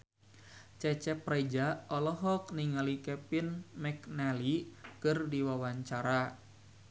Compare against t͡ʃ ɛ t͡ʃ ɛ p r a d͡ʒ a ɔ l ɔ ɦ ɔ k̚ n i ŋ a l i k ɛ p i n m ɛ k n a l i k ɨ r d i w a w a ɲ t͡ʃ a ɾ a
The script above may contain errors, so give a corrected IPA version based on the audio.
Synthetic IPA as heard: t͡ʃ ɛ t͡ʃ ɛ p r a d͡ʒ a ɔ l ɔ ɦ ɔ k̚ n i ŋ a l i k ɛ p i n m ɛ k n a l i k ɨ r d i w a w a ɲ t͡ʃ a ɾ a